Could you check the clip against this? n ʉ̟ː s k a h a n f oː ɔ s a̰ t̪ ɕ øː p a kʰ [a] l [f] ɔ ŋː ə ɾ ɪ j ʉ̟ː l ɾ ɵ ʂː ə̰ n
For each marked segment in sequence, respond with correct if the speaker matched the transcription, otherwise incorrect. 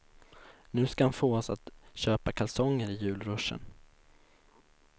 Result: correct, incorrect

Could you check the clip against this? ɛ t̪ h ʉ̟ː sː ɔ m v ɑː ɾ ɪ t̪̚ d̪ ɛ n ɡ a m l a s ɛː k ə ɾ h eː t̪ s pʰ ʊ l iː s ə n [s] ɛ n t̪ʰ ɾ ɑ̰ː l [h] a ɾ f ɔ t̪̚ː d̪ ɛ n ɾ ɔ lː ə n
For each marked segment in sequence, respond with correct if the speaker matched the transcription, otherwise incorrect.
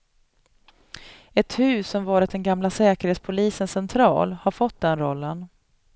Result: correct, correct

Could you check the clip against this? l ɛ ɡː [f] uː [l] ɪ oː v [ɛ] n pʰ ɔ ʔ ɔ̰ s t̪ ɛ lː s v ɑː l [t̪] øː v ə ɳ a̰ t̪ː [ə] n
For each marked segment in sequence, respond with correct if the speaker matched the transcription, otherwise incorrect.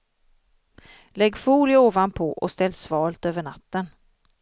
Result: correct, correct, incorrect, correct, correct

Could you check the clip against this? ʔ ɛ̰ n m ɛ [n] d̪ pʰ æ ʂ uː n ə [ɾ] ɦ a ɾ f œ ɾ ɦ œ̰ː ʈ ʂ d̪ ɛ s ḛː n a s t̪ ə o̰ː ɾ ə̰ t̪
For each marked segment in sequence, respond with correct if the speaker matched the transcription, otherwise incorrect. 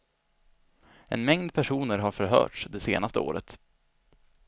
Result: incorrect, correct

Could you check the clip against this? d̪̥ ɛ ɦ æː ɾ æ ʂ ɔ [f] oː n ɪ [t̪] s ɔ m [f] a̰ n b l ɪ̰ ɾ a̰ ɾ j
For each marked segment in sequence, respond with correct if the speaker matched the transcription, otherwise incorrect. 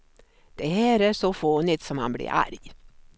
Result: correct, correct, incorrect

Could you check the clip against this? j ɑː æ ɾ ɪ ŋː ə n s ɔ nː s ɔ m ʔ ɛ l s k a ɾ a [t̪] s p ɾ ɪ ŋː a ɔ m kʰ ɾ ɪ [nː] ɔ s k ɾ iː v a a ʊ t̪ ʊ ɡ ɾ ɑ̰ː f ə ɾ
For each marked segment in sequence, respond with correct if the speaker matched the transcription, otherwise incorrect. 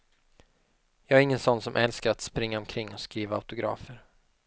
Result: correct, incorrect

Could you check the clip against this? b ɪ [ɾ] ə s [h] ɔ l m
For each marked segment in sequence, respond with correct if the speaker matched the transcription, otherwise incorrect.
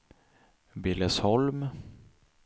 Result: incorrect, correct

